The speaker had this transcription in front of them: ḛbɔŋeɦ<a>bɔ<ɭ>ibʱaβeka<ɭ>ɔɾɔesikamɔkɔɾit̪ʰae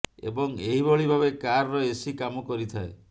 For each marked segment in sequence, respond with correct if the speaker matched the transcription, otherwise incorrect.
incorrect, correct, incorrect

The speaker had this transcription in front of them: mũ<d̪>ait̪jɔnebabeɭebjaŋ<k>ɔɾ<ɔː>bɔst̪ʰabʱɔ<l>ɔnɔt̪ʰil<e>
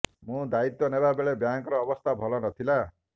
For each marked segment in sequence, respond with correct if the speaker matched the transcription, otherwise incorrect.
correct, correct, correct, correct, incorrect

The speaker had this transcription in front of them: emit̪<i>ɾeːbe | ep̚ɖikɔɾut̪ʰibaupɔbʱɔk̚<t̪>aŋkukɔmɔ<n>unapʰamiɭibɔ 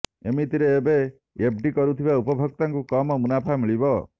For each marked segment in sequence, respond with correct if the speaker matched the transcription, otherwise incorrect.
correct, correct, incorrect

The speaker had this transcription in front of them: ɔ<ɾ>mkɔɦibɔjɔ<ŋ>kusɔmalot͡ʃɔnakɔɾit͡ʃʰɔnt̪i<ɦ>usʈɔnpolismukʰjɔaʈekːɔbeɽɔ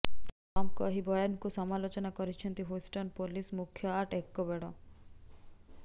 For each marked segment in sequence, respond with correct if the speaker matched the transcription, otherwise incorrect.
incorrect, incorrect, correct

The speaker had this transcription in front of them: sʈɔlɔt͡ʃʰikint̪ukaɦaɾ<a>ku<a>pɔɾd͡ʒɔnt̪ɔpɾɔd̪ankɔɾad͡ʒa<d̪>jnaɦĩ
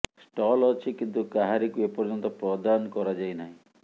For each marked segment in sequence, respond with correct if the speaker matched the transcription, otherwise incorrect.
incorrect, incorrect, incorrect

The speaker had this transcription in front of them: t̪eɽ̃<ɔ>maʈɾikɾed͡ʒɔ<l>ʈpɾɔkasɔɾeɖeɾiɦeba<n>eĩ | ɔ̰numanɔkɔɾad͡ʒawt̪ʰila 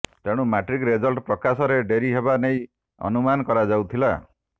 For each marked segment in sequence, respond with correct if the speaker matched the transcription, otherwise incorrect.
incorrect, correct, correct

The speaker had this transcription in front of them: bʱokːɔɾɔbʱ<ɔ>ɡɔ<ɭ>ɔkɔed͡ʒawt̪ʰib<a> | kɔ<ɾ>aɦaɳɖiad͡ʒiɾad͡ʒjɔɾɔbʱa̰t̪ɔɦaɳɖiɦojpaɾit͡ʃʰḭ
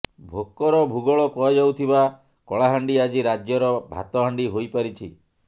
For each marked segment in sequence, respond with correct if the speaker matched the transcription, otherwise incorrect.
incorrect, correct, correct, incorrect

